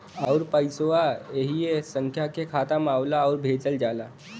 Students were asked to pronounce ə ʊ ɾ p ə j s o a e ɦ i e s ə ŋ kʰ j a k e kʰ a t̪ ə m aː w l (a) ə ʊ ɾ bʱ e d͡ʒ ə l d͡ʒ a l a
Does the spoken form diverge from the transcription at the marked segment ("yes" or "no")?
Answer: no